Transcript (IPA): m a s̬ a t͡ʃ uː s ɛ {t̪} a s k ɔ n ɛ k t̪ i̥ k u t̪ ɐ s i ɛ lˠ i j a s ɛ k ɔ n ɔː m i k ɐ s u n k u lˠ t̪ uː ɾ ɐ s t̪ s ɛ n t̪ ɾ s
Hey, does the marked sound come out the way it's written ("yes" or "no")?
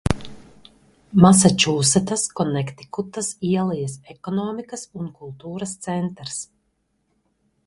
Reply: yes